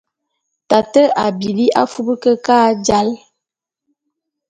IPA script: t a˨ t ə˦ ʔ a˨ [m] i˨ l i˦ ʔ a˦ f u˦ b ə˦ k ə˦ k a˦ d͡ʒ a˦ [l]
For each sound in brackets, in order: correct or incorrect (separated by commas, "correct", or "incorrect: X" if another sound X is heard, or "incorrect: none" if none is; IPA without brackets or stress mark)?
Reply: incorrect: b, correct